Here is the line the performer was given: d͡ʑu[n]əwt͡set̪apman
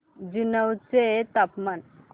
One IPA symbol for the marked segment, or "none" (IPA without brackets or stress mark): n